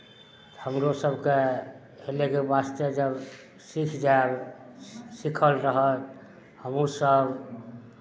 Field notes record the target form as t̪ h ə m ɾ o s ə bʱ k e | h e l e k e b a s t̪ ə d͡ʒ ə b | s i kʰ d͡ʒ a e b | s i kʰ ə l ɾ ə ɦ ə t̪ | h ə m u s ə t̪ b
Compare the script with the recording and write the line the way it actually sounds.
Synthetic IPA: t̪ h ə m ɾ o s ə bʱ k e | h e l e k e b a s t̪ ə d͡ʒ ə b | s i kʰ d͡ʒ a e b | s i kʰ ə l ɾ ə ɦ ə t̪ | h ə m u s ə b